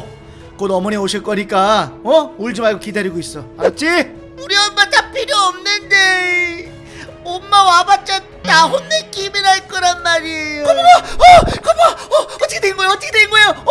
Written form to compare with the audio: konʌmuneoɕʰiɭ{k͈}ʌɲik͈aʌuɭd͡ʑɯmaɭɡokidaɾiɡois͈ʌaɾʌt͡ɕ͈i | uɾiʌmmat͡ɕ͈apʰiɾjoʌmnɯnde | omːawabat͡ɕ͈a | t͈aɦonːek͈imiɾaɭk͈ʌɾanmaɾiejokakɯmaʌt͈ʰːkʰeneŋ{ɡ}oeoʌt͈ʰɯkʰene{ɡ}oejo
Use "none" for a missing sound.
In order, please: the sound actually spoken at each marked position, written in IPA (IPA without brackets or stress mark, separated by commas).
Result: k͈, ɡ, ɡ